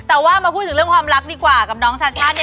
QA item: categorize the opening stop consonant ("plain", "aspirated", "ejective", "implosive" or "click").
plain